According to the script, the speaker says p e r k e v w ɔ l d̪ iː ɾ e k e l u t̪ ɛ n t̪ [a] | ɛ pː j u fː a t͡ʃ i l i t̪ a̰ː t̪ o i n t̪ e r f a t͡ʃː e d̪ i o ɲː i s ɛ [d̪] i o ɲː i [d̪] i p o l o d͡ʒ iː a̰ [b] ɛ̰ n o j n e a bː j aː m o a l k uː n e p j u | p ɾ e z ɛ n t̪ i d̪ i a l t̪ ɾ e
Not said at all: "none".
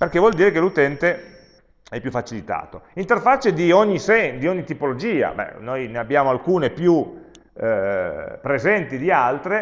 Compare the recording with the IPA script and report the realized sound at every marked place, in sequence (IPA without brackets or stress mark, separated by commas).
e, d̪, t̪, b